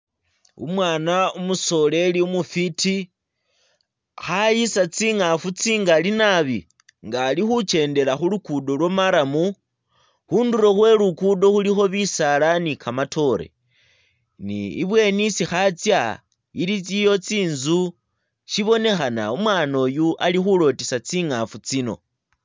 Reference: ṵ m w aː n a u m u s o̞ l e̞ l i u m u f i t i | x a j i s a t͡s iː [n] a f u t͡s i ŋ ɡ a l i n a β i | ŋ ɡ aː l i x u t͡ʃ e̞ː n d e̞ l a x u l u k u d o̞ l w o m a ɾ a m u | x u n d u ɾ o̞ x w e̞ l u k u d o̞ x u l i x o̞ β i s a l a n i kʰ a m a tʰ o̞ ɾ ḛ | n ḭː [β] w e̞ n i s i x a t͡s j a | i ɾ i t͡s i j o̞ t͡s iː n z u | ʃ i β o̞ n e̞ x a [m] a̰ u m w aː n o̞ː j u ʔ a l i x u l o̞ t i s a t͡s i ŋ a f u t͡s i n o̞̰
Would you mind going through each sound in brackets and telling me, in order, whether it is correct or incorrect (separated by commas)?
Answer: incorrect, correct, incorrect